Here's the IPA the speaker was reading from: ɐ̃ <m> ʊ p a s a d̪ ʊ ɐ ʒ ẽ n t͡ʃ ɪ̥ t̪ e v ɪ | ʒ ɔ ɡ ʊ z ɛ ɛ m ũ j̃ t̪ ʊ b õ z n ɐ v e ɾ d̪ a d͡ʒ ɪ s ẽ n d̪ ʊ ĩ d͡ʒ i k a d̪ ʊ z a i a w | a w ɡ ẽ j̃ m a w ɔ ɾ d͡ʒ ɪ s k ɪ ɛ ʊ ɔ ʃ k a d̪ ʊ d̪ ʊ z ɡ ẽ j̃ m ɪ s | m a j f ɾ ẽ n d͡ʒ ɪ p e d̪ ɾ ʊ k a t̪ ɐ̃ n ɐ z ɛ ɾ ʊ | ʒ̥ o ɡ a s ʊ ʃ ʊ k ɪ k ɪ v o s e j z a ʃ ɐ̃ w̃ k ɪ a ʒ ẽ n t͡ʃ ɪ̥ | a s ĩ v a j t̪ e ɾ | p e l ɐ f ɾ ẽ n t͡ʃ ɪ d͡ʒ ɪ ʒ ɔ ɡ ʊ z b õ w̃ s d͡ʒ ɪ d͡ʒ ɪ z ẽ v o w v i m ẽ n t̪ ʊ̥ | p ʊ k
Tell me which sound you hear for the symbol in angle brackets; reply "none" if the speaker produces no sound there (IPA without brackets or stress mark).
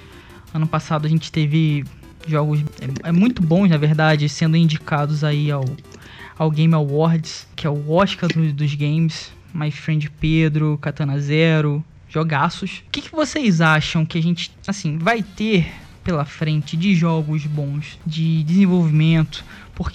n